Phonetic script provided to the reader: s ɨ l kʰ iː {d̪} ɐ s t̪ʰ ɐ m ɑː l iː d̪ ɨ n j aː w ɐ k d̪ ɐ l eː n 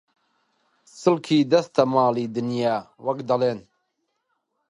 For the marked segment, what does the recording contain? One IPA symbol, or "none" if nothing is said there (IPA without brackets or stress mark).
d̪